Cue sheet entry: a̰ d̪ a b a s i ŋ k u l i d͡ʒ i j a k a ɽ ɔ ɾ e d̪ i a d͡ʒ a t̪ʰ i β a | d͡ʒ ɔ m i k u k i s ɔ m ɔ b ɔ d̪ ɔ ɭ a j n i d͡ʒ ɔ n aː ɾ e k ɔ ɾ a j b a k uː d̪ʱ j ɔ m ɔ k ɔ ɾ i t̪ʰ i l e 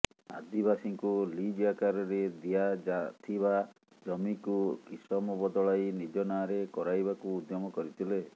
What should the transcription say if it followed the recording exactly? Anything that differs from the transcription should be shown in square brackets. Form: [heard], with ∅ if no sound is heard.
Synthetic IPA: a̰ d̪ [i] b a s i ŋ k u l i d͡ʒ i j a k a [ɾ] ɔ ɾ e d̪ i a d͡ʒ a t̪ʰ i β a | d͡ʒ ɔ m i k u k i s ɔ m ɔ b ɔ d̪ ɔ ɭ a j n i d͡ʒ ɔ n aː ɾ e k ɔ ɾ a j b a k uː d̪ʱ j ɔ m ɔ k ɔ ɾ i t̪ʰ i l e

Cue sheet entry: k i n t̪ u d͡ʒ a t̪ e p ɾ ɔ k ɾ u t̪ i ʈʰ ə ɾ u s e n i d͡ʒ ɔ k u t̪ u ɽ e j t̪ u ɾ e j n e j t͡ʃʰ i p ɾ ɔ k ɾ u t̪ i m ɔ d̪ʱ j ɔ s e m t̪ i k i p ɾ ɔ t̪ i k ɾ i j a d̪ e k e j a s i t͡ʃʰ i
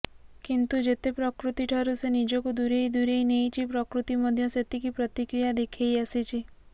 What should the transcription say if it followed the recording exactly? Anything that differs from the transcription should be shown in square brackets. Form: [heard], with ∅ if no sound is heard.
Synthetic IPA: k i n t̪ u d͡ʒ [e] t̪ e p ɾ ɔ k ɾ u t̪ i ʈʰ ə ɾ u s e n i d͡ʒ ɔ k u [d̪] u [ɾ] e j [d̪] u ɾ e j n e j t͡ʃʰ i p ɾ ɔ k ɾ u t̪ i m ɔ d̪ʱ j ɔ s e [∅] t̪ i k i p ɾ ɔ t̪ i k ɾ i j a d̪ e [kʰ] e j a s i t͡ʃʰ i

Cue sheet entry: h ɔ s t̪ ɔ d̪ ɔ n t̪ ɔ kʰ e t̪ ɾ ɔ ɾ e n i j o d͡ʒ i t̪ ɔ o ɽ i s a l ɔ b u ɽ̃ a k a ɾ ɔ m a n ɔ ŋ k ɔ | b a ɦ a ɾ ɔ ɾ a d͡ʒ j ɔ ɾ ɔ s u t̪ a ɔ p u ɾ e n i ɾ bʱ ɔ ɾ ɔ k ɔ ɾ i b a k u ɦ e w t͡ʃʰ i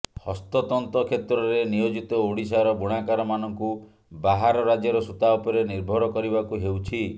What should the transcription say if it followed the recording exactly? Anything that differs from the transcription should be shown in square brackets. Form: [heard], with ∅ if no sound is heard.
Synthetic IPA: h ɔ s t̪ ɔ [t̪] ɔ n t̪ ɔ kʰ e t̪ ɾ ɔ ɾ e n i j o d͡ʒ i t̪ ɔ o ɽ i s a [ɾ] ɔ b u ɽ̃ a k a ɾ ɔ m a n ɔ ŋ k [u] | b a ɦ a ɾ ɔ ɾ a d͡ʒ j ɔ ɾ ɔ s u t̪ a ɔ p [ɔ] ɾ e n i ɾ bʱ ɔ ɾ ɔ k ɔ ɾ i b a k u ɦ e w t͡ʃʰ i

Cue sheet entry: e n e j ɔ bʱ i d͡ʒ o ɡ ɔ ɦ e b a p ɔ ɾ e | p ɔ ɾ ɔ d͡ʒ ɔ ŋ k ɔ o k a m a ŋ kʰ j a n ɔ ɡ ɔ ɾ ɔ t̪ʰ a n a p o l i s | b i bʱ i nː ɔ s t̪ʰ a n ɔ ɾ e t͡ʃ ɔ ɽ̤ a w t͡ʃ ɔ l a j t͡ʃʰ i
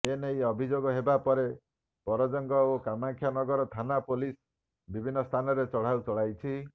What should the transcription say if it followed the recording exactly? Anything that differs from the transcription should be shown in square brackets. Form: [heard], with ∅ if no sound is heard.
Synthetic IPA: e n e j ɔ bʱ i d͡ʒ o ɡ ɔ ɦ e b a p ɔ ɾ e | p ɔ ɾ ɔ d͡ʒ ɔ ŋ [ɡ] ɔ o k a m a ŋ kʰ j a n ɔ ɡ ɔ ɾ ɔ t̪ʰ a n a p o l i s | b i bʱ i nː ɔ s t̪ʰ a n ɔ ɾ e t͡ʃ ɔ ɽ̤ a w t͡ʃ ɔ [ɭ] a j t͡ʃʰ i

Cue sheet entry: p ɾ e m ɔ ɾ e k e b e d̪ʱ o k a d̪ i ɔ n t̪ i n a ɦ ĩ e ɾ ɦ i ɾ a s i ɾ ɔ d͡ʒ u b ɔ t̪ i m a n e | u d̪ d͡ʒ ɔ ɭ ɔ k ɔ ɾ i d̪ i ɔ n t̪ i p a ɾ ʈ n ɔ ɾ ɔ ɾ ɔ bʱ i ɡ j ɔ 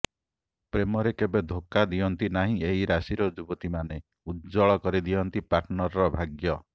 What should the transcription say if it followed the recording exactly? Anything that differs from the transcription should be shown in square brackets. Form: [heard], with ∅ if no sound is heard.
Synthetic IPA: p ɾ e m ɔ ɾ e k e b e d̪ʱ o k a d̪ i ɔ n t̪ i n a ɦ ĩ e [∅] ɦ i ɾ a s i ɾ ɔ d͡ʒ u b ɔ t̪ i m a n e | u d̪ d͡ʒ ɔ ɭ ɔ k ɔ ɾ i d̪ i ɔ n t̪ i p a ɾ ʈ n ɔ ɾ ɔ ɾ ɔ bʱ [a] ɡ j ɔ

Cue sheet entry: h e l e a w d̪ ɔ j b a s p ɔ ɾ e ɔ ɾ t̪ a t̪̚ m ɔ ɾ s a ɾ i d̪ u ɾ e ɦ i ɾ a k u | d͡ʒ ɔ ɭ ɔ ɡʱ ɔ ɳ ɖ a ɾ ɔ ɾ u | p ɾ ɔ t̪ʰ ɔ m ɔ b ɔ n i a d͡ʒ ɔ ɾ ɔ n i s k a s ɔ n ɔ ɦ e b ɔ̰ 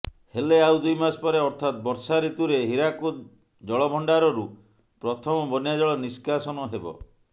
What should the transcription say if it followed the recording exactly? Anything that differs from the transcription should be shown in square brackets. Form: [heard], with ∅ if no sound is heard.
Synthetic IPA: h e l e a w d̪ [u] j [m] a s p ɔ ɾ e ɔ ɾ [t̪ʰ] a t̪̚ [b] ɔ ɾ s a ɾ i [t̪] u ɾ e ɦ i ɾ a k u | d͡ʒ ɔ ɭ ɔ [bʱ] ɔ ɳ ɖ a ɾ ɔ ɾ u | p ɾ ɔ t̪ʰ ɔ m ɔ b ɔ n [j] a d͡ʒ ɔ [ɭ] ɔ n i s k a s ɔ n ɔ ɦ e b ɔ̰

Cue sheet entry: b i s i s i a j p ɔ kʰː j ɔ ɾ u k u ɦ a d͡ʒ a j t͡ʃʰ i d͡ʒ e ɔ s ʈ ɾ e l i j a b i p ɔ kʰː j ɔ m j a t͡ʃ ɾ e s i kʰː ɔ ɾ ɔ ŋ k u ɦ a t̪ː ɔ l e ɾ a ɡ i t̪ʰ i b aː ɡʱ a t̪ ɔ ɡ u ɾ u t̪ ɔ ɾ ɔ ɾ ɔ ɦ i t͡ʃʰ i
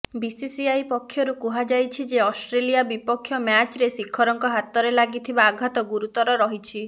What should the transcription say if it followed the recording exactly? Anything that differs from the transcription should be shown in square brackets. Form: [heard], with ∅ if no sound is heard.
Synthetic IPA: b i s i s i a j p ɔ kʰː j ɔ ɾ u k u ɦ a d͡ʒ a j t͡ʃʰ i d͡ʒ e ɔ s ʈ ɾ e l i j a b i p ɔ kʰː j ɔ m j a t͡ʃ ɾ e s i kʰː ɔ ɾ ɔ ŋ k [ɔ] ɦ a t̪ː ɔ [ɾ] e [l] a ɡ i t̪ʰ i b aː ɡʱ a t̪ ɔ ɡ u ɾ u t̪ ɔ ɾ ɔ ɾ ɔ ɦ i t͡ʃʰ i

